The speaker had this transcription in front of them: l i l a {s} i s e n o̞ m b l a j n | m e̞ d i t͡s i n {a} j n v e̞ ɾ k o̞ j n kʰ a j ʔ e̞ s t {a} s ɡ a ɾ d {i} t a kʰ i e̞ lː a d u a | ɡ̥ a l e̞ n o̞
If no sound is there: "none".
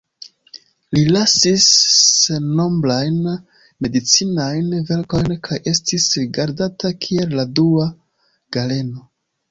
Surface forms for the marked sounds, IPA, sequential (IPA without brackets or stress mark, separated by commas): s, a, i, a